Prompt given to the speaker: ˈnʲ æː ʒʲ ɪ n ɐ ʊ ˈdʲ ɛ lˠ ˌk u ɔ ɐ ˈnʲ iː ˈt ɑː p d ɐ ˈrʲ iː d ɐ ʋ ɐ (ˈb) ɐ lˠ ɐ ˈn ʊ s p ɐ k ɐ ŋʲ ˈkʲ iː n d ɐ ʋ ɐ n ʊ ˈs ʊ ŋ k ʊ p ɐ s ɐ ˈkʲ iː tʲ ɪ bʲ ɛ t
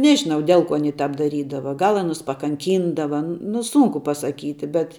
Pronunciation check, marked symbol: incorrect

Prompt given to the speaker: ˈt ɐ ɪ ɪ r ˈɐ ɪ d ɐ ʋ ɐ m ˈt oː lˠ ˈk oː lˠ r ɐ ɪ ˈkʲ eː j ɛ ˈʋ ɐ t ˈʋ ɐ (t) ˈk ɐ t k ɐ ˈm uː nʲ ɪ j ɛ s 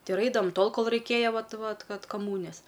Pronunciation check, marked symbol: correct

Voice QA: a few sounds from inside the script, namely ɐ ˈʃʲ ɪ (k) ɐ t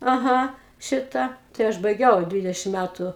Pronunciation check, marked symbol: incorrect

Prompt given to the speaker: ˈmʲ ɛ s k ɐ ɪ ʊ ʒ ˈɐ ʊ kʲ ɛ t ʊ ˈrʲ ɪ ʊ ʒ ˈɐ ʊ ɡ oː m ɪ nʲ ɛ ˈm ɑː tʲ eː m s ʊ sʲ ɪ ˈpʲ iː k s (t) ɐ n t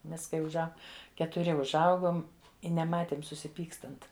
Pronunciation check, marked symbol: correct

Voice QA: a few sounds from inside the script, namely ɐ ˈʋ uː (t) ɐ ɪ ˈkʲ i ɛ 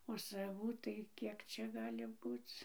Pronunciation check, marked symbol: correct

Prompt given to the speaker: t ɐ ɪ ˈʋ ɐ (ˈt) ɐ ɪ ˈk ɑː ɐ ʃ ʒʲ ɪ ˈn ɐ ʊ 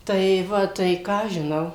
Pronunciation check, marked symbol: correct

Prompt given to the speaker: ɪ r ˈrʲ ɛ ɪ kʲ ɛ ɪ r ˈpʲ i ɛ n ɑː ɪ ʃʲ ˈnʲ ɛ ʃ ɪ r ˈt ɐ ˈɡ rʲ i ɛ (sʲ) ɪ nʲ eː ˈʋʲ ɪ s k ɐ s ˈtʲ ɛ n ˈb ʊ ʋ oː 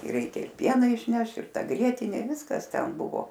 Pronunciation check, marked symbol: incorrect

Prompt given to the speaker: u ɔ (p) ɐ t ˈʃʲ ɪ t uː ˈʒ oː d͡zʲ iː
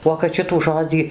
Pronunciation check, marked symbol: incorrect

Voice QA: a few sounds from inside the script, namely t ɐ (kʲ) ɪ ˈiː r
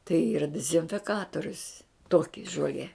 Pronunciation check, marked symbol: incorrect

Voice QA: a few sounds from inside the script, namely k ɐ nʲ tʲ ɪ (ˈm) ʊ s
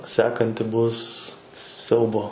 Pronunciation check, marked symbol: incorrect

